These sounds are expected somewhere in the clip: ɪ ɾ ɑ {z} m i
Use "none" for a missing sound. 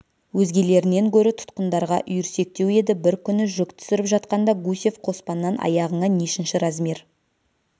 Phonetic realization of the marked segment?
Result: z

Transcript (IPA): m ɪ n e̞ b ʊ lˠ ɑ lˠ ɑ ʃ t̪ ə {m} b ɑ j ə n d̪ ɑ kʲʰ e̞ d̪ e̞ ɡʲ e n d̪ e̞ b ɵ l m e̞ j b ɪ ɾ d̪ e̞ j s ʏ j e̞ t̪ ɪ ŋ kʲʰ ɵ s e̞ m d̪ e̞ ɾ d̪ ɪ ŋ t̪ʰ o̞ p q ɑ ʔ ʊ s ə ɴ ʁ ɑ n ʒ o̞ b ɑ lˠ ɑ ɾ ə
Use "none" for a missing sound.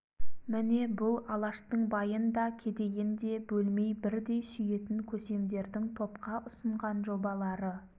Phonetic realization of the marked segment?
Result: ɴ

